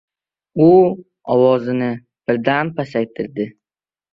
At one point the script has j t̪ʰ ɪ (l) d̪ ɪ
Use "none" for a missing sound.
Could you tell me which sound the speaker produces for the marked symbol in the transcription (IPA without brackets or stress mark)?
ɾ